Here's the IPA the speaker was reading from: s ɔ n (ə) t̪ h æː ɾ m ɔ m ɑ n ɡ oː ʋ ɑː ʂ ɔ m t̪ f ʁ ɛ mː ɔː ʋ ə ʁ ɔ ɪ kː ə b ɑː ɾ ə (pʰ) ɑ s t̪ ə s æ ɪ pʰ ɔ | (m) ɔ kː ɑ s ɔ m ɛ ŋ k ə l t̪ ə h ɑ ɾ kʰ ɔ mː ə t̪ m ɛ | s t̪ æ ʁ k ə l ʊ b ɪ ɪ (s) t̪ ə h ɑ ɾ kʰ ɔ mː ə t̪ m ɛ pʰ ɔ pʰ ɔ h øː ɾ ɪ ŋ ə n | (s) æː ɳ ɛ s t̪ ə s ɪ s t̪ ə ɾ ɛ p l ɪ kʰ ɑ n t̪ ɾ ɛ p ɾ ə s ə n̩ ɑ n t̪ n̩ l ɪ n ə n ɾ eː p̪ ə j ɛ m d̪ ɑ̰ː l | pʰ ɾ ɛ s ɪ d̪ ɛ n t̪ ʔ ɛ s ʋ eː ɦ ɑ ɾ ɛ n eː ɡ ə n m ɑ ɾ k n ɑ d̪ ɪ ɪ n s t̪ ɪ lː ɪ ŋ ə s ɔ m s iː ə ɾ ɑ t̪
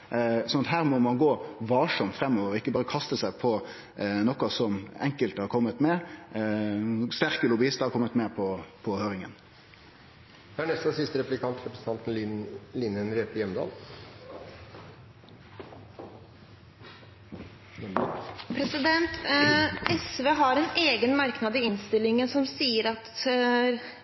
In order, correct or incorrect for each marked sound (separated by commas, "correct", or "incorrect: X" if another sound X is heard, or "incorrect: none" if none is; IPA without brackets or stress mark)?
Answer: incorrect: ɑ, incorrect: kʰ, incorrect: n, correct, incorrect: h